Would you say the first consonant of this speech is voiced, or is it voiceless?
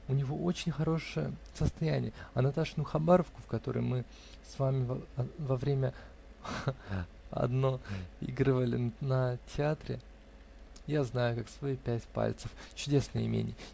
voiced